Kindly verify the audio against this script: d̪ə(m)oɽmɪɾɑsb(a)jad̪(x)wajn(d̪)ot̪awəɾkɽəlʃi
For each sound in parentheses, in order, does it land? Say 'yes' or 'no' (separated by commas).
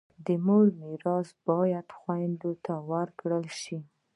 yes, no, yes, yes